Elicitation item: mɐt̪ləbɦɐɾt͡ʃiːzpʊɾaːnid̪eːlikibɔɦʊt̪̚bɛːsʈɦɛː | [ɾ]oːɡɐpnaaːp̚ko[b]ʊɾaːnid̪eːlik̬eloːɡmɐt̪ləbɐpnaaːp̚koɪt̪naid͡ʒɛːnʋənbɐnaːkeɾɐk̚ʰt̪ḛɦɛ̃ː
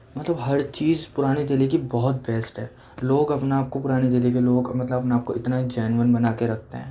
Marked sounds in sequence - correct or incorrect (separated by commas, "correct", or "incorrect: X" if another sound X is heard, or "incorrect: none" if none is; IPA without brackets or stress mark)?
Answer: incorrect: l, incorrect: p